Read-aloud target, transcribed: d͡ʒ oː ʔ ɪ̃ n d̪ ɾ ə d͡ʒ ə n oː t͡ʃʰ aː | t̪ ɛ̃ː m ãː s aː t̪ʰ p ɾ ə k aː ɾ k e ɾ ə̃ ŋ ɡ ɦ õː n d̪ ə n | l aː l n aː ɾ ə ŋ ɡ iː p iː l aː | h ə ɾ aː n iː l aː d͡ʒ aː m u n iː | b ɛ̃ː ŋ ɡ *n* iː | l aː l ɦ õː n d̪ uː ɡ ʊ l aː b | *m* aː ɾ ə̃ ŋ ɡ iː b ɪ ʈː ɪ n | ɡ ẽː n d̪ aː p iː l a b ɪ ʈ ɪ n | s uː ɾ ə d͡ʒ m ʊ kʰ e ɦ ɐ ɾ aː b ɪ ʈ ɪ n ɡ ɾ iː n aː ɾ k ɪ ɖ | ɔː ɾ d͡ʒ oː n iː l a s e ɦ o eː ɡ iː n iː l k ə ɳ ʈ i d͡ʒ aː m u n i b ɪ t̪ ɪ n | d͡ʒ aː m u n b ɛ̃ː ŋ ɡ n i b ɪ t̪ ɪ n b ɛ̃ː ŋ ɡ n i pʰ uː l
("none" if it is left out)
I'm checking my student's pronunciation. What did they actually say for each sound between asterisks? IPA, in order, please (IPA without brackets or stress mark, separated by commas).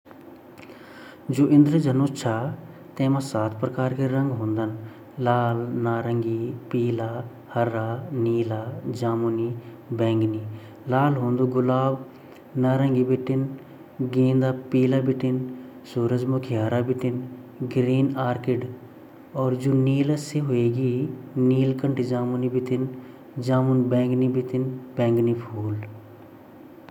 n, n